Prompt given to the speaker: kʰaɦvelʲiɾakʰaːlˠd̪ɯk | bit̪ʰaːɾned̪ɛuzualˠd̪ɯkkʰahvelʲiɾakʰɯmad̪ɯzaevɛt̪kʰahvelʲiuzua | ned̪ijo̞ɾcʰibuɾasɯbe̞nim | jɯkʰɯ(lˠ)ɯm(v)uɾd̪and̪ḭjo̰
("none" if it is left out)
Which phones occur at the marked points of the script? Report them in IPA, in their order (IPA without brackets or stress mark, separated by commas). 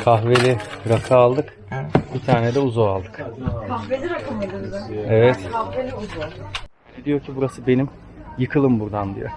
lˠ, b